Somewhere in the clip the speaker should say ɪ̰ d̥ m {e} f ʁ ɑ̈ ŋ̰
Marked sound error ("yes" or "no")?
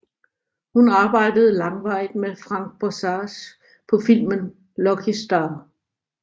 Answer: no